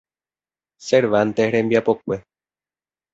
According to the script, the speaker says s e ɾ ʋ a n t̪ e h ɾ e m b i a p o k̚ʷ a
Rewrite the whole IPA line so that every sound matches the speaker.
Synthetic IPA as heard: s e ɾ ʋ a n t̪ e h ɾ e m b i a p o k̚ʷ e